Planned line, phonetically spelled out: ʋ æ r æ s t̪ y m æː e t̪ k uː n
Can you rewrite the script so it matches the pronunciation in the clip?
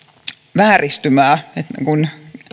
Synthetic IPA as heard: ʋ æː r i s t̪ y m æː e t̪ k u n